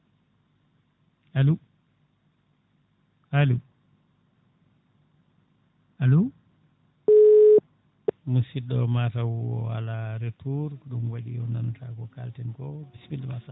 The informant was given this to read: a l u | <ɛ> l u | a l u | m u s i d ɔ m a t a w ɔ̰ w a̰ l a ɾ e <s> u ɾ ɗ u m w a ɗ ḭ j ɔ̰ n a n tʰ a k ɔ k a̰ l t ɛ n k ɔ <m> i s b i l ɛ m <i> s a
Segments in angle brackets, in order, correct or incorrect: incorrect: a, incorrect: t, incorrect: b, incorrect: a

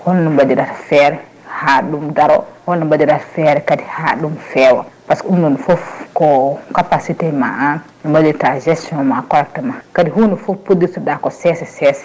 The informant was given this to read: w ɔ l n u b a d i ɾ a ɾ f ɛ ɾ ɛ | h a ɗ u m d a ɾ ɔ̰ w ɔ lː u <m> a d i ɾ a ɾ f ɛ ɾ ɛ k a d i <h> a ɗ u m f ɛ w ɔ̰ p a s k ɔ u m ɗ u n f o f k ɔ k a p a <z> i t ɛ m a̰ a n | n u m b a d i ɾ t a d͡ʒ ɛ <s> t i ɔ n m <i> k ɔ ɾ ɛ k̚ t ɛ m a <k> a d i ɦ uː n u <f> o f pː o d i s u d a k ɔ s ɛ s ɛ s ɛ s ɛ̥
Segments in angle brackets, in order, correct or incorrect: incorrect: b, correct, incorrect: s, correct, incorrect: a, correct, correct

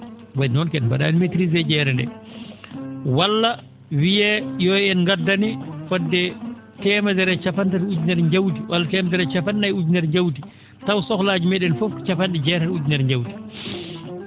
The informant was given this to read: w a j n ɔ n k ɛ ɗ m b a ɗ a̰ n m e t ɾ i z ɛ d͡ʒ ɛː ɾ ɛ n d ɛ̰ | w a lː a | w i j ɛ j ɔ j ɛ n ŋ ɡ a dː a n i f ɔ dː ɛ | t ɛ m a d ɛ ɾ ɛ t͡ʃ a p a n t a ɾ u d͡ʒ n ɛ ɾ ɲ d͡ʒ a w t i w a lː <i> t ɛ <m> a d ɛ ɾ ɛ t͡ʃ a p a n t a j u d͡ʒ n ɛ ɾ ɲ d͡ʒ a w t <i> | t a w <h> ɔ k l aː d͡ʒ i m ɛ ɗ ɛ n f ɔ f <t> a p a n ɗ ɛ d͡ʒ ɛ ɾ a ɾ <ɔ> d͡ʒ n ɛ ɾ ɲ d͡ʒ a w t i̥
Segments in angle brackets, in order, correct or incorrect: incorrect: a, correct, correct, incorrect: s, incorrect: t͡ʃ, incorrect: u

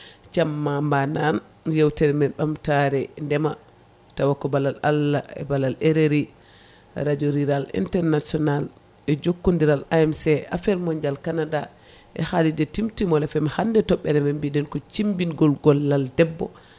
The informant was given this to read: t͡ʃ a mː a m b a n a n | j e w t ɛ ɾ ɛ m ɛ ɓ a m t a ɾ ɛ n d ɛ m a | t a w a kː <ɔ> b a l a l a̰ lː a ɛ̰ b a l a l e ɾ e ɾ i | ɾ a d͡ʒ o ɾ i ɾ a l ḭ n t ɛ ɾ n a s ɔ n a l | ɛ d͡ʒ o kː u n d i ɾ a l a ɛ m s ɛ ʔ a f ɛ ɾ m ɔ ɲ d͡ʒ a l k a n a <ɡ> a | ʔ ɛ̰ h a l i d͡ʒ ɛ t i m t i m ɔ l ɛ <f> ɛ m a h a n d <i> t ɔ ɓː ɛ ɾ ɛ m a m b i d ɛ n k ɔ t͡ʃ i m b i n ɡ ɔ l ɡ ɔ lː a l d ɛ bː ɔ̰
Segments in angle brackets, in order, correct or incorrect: correct, incorrect: d, correct, incorrect: ɛ

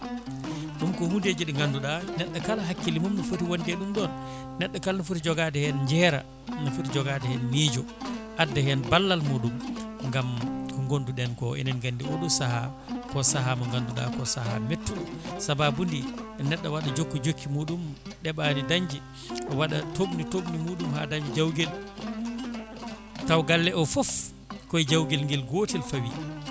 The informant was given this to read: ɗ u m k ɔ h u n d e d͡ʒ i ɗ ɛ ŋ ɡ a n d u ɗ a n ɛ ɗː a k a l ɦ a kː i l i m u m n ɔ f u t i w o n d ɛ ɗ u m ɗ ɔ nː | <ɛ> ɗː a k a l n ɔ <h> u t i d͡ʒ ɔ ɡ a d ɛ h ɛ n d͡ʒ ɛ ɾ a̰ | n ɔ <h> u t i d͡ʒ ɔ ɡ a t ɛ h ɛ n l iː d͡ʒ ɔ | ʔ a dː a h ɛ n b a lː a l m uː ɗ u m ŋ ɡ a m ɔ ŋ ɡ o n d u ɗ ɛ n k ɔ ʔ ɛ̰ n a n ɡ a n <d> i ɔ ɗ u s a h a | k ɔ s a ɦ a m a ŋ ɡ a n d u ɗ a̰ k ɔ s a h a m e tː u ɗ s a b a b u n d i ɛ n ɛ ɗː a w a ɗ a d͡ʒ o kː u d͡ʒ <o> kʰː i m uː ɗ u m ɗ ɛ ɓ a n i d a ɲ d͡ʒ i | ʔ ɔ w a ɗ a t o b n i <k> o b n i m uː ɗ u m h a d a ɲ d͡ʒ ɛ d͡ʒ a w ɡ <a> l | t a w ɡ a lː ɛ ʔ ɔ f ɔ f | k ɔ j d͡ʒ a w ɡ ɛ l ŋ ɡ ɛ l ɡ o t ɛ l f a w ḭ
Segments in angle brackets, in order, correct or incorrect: correct, incorrect: f, incorrect: f, correct, correct, incorrect: t, incorrect: ɛ

